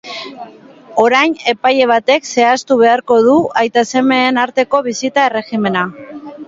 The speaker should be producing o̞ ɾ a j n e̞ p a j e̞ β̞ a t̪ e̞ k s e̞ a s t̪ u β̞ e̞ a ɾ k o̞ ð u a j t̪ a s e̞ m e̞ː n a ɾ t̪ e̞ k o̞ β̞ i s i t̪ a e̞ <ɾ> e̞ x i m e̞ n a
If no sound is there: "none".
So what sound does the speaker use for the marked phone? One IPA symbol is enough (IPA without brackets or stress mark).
r